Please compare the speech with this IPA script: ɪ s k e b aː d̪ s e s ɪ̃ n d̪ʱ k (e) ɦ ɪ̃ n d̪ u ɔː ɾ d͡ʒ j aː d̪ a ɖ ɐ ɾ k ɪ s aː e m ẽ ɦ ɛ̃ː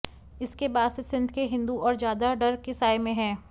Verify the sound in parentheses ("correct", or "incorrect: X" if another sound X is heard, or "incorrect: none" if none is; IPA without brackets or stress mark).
correct